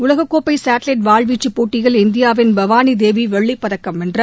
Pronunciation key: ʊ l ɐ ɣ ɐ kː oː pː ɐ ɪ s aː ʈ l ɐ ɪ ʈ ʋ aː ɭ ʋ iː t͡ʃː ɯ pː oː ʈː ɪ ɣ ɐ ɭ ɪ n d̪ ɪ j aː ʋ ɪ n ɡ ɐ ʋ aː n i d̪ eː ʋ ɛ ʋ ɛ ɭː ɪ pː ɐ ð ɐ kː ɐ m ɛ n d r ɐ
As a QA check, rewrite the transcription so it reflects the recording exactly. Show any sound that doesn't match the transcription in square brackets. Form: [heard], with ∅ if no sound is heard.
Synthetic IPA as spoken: ʊ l ɐ ɣ ɐ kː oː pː ɐ ɪ s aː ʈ l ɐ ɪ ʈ ʋ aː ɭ ʋ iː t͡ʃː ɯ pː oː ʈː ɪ ɣ ɐ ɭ ɪ n d̪ ɪ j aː ʋ ɪ n [b] ɐ ʋ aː n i d̪ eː ʋ [i] ʋ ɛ ɭː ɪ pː ɐ ð ɐ kː ɐ m ɛ n d r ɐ